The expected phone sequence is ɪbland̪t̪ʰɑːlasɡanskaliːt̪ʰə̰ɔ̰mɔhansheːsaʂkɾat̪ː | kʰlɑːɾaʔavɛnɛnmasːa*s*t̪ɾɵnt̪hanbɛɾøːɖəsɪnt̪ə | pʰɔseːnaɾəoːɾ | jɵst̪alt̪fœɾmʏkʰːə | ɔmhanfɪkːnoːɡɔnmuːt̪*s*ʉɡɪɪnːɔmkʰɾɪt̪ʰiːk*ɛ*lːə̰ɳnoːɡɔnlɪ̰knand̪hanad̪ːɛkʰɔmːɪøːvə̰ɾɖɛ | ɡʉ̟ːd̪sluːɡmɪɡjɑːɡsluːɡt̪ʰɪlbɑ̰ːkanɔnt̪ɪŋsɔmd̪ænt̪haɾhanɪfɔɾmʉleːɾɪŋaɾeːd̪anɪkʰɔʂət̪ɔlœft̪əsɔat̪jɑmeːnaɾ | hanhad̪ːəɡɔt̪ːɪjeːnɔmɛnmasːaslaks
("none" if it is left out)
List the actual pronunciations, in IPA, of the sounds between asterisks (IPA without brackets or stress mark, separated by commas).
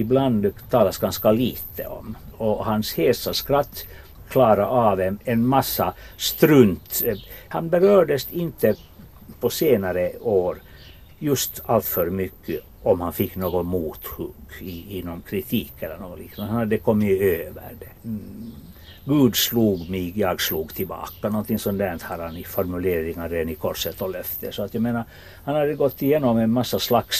s, h, ɛ